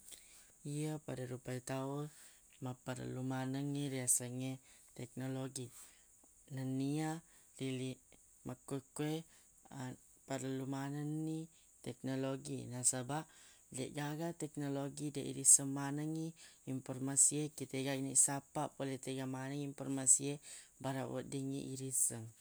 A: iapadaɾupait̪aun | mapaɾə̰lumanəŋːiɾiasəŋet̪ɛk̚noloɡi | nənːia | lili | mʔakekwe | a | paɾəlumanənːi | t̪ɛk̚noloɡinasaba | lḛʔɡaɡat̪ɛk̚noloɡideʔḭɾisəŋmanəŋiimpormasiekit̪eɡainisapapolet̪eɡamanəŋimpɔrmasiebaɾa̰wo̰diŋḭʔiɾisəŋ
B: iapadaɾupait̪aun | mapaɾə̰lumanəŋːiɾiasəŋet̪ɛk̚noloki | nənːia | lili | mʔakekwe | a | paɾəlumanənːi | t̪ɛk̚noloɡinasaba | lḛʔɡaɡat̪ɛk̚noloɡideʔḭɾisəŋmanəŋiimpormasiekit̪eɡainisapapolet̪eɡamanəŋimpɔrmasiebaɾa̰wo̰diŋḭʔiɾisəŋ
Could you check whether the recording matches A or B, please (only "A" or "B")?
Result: A